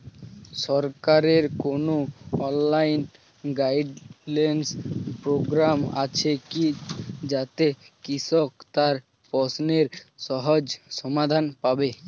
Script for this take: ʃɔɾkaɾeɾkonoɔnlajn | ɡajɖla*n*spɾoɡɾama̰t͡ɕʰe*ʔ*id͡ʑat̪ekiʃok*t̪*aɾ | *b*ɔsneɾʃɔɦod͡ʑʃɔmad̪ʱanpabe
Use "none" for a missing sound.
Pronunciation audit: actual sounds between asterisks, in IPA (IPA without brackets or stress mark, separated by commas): n, k, t̪, p